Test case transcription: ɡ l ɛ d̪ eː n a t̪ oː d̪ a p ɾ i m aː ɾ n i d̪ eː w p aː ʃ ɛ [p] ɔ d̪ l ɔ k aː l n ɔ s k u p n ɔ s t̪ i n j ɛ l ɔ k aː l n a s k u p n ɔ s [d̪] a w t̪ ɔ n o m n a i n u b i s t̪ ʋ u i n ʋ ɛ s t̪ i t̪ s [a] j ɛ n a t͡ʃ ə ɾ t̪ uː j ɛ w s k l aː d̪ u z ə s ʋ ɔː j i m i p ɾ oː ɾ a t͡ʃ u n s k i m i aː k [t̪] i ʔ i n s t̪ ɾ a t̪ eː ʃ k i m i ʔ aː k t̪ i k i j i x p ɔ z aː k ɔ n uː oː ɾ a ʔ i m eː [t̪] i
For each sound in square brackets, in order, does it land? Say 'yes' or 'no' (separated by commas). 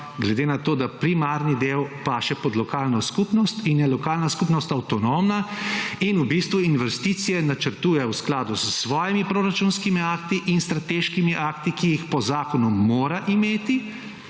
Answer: yes, no, no, yes, yes